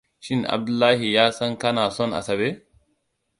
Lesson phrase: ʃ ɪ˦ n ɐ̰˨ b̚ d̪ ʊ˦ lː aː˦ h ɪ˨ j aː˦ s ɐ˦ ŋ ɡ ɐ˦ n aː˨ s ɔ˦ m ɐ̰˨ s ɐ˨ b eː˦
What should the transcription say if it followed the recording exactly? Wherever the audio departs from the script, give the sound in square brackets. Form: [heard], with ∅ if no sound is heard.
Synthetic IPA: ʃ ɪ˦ n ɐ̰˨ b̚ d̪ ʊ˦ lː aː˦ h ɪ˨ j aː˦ s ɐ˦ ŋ [k] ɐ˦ n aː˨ s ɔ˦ [n] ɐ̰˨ s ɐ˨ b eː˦